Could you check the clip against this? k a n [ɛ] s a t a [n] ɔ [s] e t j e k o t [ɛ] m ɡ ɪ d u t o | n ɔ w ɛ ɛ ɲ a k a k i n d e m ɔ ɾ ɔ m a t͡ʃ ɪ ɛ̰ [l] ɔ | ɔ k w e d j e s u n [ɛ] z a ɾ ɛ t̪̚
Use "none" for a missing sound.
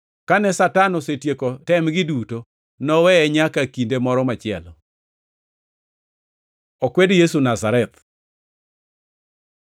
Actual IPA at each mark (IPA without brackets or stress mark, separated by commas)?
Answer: ɛ, n, s, ɛ, l, a